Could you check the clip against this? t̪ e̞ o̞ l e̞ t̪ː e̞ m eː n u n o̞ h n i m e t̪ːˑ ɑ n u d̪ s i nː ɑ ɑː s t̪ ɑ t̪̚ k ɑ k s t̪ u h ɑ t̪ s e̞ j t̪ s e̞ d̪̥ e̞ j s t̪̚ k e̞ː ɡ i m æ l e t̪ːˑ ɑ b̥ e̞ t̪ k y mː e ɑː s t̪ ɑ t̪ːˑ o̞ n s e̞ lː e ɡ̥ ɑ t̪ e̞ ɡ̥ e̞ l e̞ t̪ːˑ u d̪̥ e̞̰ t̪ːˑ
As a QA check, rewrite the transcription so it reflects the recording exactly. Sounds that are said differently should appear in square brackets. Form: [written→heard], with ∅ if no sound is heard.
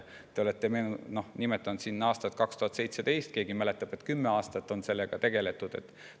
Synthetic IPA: t̪ e̞ o̞ l e̞ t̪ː e̞ m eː n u n o̞ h n i m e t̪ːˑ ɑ n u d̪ s i nː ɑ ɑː s t̪ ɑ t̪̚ k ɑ k s t̪ u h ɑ t̪ s e̞ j t̪ s e̞ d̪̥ e̞ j s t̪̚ k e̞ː ɡ i m æ l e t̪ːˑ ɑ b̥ e̞ t̪ k y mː e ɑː s t̪ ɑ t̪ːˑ o̞ n s e̞ lː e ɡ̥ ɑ t̪ e̞ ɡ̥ e̞ l e̞ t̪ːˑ u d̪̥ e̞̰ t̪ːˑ

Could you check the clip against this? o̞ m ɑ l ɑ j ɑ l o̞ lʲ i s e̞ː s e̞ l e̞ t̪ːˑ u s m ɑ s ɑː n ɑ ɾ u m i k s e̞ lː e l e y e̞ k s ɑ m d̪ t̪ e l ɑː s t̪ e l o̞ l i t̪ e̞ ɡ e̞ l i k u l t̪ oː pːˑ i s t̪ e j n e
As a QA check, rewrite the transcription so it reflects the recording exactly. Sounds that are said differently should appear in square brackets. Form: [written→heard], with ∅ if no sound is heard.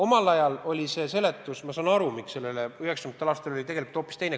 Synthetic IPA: o̞ m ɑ l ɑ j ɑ l o̞ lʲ i s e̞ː s e̞ l e̞ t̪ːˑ u s m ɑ s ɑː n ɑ ɾ u m i k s e̞ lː e l e y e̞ k s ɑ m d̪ t̪ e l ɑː s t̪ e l o̞ l i t̪ e̞ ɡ e̞ l i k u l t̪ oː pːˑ i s t̪ e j n e

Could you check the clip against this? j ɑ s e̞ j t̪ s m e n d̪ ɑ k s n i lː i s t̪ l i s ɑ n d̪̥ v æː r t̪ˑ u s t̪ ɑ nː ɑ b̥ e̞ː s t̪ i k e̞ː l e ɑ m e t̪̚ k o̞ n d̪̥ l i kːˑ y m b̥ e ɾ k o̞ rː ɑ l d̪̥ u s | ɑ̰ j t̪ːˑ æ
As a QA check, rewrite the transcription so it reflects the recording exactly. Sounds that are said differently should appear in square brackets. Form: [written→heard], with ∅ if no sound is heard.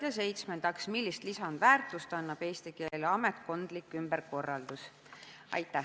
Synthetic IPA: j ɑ s e̞ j t̪ s m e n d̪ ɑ k s [n→m] i lː i s t̪ l i s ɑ n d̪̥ v æː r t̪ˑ u s t̪ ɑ nː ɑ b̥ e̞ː s t̪ i k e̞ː l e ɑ m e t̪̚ k o̞ n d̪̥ l i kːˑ y m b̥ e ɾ k o̞ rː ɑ l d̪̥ u s | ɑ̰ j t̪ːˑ æ

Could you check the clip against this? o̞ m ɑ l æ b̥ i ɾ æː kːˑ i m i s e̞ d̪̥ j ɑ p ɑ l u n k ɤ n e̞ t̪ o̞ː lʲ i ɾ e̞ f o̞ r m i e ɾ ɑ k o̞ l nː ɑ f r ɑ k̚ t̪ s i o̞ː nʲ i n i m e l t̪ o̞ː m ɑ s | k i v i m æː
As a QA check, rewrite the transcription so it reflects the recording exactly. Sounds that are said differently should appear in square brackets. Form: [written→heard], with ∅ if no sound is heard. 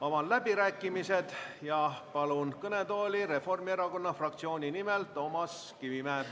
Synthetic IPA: o̞ m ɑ l æ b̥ i ɾ æː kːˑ i m i s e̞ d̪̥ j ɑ p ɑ l u n k ɤ n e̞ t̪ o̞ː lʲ i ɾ e̞ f o̞ r m i e ɾ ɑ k o̞ [l→∅] nː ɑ f r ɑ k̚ t̪ s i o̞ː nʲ i n i m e l t̪ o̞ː m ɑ s | k i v i m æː

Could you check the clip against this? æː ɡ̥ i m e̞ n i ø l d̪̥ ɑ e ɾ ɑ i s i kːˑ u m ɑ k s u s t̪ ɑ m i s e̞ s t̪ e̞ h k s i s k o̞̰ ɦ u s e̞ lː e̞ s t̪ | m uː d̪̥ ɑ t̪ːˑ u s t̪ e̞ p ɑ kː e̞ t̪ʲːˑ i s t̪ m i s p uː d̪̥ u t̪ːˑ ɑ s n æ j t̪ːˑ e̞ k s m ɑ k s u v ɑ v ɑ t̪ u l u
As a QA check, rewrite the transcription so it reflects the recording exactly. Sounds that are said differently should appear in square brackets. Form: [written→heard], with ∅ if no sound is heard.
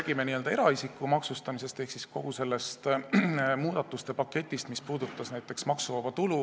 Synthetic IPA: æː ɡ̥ i m e̞ n i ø l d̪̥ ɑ e ɾ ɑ i s i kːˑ u m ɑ k s u s t̪ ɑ m i s e̞ s t̪ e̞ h k s i s k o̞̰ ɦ u s e̞ lː e̞ s t̪ | m uː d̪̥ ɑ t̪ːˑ u s t̪ e̞ p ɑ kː e̞ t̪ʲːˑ i s t̪ m i s p uː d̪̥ u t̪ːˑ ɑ s n æ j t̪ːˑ e̞ k s m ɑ k s u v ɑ v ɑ t̪ u l u

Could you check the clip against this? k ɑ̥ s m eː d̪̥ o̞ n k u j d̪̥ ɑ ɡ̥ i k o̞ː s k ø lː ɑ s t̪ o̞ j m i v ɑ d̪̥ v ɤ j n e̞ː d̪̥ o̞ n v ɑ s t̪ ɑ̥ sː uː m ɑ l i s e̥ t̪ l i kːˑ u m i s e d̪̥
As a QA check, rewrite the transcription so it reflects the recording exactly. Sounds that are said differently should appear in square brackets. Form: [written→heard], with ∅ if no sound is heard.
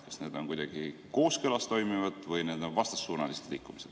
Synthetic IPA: k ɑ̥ s [m→n] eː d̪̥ o̞ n k u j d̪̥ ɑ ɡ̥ i k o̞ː s k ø [lː→l] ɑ s t̪ o̞ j m i v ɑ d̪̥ v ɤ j n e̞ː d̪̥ o̞ n v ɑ s t̪ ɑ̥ sː uː [m→n] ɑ l i s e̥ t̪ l i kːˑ u m i s e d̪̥

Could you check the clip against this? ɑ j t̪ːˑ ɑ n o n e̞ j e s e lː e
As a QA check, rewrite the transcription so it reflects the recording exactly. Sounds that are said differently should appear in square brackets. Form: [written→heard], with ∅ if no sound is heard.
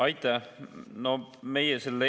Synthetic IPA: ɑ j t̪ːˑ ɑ n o [n→m] e̞ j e s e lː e

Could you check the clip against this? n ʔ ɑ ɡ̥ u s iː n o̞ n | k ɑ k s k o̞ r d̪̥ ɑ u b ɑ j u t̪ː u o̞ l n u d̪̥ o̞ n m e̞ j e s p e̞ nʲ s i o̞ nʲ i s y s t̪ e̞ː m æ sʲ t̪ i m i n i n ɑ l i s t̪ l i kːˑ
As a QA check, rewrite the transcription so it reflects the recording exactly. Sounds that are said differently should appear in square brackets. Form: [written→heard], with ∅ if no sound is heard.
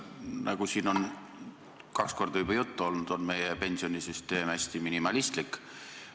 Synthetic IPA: n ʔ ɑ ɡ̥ u s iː n o̞ n | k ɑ k s k o̞ r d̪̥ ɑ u b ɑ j u t̪ː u o̞ l n u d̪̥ o̞ n m e̞ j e [s→∅] p e̞ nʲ s i o̞ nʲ i s y s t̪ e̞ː m æ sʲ t̪ i m i n i [n→m] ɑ l i s t̪ l i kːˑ

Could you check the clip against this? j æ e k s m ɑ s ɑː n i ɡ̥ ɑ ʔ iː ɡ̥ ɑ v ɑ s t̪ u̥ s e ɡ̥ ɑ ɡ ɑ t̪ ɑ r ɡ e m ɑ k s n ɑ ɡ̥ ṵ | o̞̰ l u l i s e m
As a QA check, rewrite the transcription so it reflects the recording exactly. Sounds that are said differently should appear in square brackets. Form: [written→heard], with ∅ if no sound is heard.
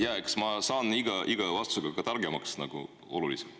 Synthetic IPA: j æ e k s m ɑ s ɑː n i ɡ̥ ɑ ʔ [iː→i] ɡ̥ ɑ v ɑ s t̪ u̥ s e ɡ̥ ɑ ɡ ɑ t̪ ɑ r ɡ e m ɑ k s n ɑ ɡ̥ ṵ | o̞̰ l u l i s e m

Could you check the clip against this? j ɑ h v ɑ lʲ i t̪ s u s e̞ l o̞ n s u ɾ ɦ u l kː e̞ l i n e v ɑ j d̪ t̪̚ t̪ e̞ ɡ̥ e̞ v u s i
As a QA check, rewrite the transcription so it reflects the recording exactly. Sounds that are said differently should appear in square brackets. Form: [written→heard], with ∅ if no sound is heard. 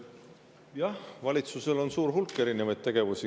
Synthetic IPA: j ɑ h v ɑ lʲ i t̪ s u s e̞ l o̞ n s [u→uː] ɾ ɦ u l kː e̞ [l→ɾ] i n e v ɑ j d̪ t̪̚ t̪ e̞ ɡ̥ e̞ v u s i

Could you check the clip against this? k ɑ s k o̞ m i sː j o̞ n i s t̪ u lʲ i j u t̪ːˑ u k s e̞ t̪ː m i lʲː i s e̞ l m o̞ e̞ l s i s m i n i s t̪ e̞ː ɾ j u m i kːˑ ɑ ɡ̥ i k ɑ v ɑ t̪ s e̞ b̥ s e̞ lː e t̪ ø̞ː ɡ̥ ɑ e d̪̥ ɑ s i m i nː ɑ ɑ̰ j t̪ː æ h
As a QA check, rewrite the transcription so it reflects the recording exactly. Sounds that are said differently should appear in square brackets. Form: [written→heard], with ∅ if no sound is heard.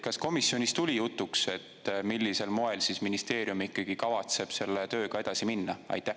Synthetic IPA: k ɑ s k o̞ m i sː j o̞ n i s t̪ u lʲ i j u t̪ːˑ u k s e̞ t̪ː m i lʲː i s e̞ l m o̞ e̞ l s i s m i n i s t̪ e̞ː ɾ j u m i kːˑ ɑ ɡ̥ i k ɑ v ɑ t̪ s e̞ b̥ s e̞ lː e t̪ ø̞ː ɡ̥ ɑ e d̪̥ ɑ s i m i nː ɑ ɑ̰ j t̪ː æ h

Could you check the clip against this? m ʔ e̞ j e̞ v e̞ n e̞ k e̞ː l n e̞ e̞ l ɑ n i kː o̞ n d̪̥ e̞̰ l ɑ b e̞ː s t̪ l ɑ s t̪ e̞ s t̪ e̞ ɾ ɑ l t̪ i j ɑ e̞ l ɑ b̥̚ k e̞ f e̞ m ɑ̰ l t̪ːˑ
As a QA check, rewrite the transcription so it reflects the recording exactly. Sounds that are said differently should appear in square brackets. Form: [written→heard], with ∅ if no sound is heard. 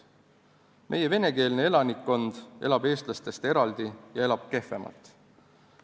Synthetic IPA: m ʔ e̞ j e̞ v e̞ n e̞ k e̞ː l n e̞ e̞ l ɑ n i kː o̞ n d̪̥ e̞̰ l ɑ b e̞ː s t̪ l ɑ s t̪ e̞ s t̪ e̞ ɾ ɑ l [t̪→d̪] i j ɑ e̞ l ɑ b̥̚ k e̞ f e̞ m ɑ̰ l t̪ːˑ

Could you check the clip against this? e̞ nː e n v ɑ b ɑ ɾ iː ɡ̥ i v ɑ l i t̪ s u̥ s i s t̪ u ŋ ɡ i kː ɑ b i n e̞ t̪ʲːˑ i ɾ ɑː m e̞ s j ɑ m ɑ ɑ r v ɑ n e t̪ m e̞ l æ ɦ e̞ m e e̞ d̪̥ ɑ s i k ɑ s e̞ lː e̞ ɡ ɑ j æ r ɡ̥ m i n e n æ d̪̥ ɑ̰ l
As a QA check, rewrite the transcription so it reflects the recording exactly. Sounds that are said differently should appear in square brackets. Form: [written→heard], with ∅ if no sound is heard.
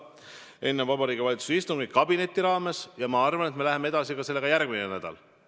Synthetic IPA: e̞ nː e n v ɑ b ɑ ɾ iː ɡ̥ i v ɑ l i t̪ s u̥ s i s t̪ u ŋ ɡ i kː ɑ b i n e̞ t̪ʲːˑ i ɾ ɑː m e̞ s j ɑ m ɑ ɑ r v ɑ n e t̪ m e̞ l æ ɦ e̞ m e e̞ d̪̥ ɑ s i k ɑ s e̞ lː e̞ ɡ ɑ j æ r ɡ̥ m i n e n æ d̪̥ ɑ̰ l

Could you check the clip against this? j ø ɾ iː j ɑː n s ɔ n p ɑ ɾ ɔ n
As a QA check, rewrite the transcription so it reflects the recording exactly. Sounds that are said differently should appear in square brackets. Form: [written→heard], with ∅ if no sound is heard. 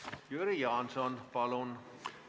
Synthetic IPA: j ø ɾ [iː→i] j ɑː n s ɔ n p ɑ [ɾ→l] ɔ n

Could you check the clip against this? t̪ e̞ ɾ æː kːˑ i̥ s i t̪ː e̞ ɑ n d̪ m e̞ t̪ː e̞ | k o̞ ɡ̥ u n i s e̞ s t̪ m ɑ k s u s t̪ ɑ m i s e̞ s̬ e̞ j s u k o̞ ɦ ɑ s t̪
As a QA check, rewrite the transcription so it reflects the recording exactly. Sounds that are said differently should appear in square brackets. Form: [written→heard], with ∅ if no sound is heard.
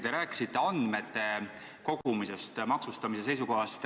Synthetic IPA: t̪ e̞ ɾ æː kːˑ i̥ s i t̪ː e̞ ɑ n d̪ m e̞ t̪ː e̞ | k o̞ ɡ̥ u [n→m] i s e̞ s t̪ m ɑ k s u s t̪ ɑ m i s e̞ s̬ e̞ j s u k o̞ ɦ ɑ s t̪

